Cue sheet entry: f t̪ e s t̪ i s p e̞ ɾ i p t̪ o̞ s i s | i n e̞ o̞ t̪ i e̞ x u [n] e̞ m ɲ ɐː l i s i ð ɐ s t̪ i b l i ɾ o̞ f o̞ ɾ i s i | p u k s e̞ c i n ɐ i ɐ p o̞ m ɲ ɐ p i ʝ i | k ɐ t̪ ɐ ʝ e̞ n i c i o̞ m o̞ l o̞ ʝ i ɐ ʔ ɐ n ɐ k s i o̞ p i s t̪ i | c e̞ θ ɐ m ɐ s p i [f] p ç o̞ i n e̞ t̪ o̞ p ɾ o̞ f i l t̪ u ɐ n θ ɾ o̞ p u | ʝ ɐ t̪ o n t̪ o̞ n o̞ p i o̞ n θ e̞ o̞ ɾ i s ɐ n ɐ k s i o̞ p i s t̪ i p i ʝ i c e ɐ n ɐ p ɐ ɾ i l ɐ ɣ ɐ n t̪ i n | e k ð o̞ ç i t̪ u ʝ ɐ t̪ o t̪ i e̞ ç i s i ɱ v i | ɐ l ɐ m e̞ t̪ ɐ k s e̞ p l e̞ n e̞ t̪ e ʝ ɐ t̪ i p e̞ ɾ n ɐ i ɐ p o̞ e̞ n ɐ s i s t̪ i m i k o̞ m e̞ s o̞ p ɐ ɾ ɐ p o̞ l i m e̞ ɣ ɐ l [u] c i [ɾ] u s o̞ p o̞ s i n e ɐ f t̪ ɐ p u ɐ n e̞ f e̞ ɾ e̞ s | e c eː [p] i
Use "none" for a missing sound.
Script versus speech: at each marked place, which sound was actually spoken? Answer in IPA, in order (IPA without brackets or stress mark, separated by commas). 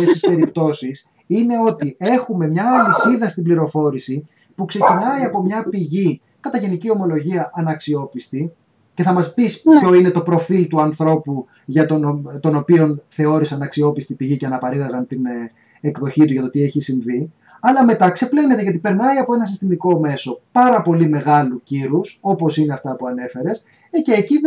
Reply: m, s, u, ɾ, c